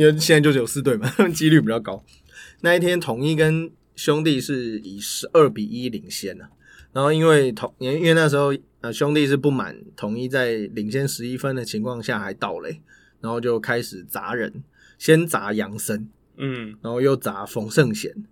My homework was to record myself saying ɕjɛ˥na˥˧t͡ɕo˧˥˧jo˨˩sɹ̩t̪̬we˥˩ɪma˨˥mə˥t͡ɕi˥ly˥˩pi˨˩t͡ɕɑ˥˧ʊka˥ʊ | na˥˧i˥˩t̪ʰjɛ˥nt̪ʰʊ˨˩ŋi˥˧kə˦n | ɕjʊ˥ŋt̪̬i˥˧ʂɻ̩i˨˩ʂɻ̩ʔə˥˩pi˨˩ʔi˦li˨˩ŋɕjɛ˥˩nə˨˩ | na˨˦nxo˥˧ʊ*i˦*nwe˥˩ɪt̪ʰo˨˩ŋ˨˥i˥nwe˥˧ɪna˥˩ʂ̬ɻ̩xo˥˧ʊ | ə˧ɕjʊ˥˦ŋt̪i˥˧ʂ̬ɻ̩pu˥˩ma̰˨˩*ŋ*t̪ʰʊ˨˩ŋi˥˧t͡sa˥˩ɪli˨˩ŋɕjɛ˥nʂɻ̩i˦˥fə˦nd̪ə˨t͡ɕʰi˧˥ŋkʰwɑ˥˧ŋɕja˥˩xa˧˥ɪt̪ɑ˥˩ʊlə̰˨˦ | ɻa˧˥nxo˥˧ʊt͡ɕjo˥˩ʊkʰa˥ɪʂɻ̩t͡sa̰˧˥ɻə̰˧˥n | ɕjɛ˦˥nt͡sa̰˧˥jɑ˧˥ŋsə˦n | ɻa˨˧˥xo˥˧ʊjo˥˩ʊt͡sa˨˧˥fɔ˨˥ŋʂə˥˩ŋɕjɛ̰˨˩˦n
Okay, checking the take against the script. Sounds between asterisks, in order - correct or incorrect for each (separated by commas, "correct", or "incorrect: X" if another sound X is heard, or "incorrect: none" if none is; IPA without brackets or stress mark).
correct, incorrect: n